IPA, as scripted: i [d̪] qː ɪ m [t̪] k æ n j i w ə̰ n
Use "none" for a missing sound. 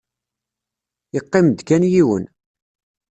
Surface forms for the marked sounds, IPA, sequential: none, d̪

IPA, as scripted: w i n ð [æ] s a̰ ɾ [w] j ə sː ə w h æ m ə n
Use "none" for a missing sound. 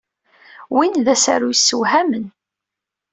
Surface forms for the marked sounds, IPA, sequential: æ, u

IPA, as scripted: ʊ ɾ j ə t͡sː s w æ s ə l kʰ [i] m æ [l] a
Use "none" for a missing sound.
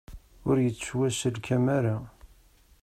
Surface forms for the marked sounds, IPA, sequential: æ, ɾ

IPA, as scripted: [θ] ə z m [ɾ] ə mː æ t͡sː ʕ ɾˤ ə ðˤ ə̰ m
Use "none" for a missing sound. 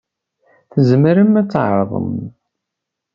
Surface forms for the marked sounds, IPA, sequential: θ, ɾ

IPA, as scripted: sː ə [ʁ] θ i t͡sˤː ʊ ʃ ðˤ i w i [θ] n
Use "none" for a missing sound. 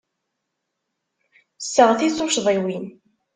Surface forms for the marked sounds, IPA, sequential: ʁ, none

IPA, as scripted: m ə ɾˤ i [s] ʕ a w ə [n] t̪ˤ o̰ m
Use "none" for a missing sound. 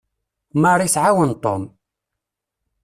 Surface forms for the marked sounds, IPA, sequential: s, n

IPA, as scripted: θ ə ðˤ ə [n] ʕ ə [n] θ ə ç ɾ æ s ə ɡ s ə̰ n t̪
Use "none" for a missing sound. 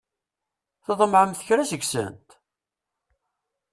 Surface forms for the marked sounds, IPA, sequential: m, m

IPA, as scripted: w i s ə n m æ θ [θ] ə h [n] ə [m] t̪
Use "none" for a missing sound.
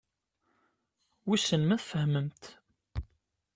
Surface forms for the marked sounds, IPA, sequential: f, m, m

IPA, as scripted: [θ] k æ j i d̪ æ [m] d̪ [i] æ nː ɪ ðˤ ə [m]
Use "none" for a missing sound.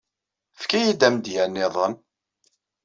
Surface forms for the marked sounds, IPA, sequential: f, m, j, n

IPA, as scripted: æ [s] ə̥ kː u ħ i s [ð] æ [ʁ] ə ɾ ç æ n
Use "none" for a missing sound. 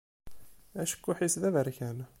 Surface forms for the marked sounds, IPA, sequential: ʃ, ð, v

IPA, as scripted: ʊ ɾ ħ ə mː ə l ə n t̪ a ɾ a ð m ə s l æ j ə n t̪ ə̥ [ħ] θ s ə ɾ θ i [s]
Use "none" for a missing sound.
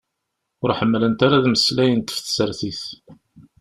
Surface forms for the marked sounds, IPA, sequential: f, θ

